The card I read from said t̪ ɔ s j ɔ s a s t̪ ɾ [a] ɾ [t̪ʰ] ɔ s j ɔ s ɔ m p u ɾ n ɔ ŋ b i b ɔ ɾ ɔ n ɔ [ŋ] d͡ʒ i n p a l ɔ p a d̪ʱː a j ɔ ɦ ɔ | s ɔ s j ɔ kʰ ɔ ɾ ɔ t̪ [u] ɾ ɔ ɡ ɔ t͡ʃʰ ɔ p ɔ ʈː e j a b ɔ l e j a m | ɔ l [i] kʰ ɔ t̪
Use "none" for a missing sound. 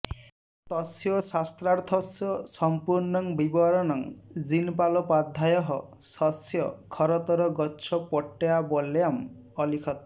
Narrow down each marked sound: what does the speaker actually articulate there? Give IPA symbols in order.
a, t̪ʰ, ŋ, ɔ, i

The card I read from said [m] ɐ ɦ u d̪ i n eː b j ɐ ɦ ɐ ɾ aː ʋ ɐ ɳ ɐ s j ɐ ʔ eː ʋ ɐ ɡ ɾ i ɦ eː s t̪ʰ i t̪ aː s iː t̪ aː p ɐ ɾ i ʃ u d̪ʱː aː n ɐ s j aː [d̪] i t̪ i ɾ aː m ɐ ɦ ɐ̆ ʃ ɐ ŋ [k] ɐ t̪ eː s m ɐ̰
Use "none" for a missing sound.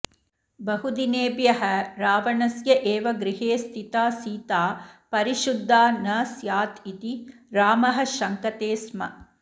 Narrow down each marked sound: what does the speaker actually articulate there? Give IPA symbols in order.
b, t̪, k

